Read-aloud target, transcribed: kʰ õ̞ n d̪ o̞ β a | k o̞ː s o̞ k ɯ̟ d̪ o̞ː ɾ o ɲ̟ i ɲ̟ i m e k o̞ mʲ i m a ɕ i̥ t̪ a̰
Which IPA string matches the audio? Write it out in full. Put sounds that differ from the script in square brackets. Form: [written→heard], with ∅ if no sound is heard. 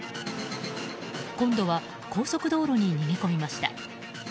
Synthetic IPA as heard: [kʰ→k] õ̞ n d̪ o̞ β a | k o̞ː s o̞ k ɯ̟ d̪ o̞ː ɾ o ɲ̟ i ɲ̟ i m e k o̞ mʲ i m a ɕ i̥ t̪ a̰